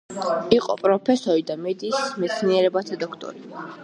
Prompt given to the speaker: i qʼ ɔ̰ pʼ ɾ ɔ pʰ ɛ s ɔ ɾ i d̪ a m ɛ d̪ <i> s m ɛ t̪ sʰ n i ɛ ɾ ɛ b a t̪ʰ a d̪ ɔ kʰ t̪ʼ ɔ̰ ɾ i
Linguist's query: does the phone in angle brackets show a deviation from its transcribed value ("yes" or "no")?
yes